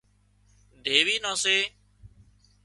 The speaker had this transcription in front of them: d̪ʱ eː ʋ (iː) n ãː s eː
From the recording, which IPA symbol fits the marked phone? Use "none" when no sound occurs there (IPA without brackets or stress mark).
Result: iː